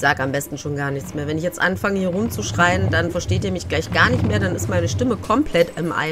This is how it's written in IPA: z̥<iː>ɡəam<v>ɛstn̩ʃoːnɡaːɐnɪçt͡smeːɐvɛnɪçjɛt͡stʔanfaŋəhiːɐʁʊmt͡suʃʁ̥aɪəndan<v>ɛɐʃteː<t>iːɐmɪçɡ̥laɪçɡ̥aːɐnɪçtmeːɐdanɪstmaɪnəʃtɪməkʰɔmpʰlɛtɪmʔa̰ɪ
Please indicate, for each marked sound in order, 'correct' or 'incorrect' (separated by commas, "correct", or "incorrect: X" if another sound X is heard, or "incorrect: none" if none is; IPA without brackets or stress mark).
incorrect: aː, incorrect: b, incorrect: f, correct